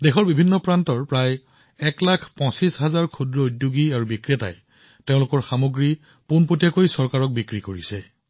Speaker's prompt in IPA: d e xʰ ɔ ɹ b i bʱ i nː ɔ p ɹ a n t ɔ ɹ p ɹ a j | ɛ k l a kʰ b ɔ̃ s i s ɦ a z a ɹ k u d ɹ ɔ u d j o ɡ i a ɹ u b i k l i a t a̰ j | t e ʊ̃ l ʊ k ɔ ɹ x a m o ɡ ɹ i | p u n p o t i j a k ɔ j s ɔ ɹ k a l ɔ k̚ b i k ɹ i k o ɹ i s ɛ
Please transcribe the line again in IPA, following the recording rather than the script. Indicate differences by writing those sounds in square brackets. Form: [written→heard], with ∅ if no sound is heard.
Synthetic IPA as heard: d e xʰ ɔ ɹ b i bʱ i nː ɔ p ɹ a n t ɔ ɹ p ɹ a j | ɛ k l a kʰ [b→p] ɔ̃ s i s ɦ a z a ɹ [k→kʰ] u d ɹ ɔ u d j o ɡ i a ɹ u b i k [l→ɹ] i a t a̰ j | t e ʊ̃ l ʊ k ɔ ɹ x a m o ɡ ɹ i | p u n p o t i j a k [ɔ→o] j s ɔ ɹ k a [l→ɹ] ɔ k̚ b i k ɹ i k o ɹ i s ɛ

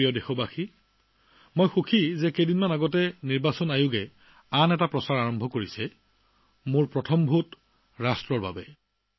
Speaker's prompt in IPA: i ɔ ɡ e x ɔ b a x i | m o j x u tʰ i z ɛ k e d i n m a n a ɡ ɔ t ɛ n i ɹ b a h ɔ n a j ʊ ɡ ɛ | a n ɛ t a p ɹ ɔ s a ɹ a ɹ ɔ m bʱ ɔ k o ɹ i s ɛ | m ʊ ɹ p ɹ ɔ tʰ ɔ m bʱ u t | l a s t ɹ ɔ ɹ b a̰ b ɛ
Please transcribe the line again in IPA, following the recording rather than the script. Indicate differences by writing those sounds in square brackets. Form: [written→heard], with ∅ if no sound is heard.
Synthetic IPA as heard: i ɔ [ɡ→d] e x ɔ b a x i | m o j x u [tʰ→kʰ] i z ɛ k e d i n m a n a ɡ ɔ t ɛ n i ɹ b a [h→s] ɔ n a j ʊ ɡ ɛ | a n ɛ t a p ɹ ɔ s a ɹ a ɹ ɔ m bʱ ɔ k o ɹ i s ɛ | m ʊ ɹ p ɹ ɔ tʰ ɔ m bʱ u t | [l→ɹ] a s t ɹ ɔ ɹ b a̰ b ɛ

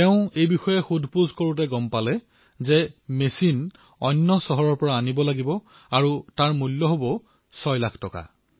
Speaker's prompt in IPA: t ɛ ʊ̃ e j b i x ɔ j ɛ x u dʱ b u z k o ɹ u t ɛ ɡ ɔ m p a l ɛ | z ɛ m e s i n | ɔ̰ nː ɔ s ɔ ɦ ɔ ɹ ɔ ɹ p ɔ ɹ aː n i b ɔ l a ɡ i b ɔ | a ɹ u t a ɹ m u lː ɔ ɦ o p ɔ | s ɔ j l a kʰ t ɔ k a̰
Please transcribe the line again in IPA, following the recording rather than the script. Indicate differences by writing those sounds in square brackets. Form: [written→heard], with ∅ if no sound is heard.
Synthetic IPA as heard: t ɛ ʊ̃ e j b i x ɔ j ɛ x u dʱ [b→p] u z k o ɹ u t ɛ ɡ ɔ m p a l ɛ | z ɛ m e s i n | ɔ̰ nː ɔ s ɔ ɦ ɔ ɹ ɔ ɹ p ɔ ɹ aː n i b ɔ l a ɡ i b ɔ | a ɹ u t a ɹ m u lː ɔ ɦ o [p→b] ɔ | s ɔ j l a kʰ t ɔ k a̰

